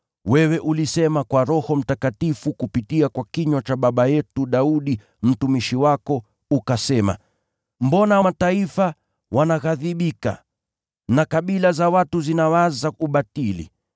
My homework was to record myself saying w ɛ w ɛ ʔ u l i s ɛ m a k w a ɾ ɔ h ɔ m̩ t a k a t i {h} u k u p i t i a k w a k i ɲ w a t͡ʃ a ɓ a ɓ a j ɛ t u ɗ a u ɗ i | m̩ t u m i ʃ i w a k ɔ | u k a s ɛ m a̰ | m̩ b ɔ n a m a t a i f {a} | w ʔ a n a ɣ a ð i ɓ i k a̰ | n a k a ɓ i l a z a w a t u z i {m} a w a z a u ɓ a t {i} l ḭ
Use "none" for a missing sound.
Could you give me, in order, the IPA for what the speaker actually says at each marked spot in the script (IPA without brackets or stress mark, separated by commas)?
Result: f, a, n, i